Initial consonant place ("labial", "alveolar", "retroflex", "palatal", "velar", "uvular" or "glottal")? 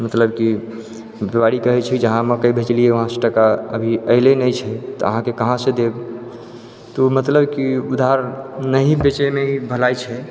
labial